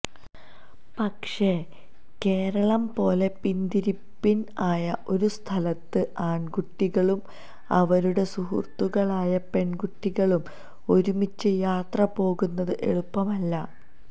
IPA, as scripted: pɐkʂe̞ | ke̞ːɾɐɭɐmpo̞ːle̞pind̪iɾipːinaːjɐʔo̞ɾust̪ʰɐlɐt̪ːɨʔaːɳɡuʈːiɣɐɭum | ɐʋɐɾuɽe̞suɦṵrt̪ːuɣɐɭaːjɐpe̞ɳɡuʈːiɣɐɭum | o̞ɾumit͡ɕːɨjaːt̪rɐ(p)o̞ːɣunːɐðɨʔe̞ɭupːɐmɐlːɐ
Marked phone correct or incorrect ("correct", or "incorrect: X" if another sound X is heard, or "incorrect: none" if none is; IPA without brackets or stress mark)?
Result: correct